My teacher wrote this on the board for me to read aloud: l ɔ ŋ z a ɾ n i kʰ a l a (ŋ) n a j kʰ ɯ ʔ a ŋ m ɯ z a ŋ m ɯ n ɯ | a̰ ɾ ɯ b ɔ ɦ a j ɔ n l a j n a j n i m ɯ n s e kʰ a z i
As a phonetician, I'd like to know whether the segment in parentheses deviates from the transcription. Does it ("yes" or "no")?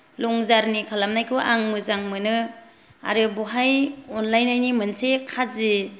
yes